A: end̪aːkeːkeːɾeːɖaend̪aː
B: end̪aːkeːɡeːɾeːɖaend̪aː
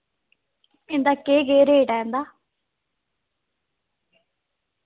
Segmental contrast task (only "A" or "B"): B